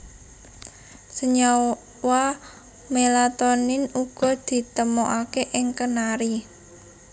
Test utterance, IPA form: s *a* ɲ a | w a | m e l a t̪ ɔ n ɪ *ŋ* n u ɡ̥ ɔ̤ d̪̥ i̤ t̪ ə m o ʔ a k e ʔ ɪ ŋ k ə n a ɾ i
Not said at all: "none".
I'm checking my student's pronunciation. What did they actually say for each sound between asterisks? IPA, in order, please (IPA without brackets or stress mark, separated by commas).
ə, none